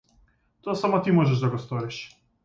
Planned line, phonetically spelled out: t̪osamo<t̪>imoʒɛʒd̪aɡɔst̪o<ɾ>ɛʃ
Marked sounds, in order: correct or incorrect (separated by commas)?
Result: correct, correct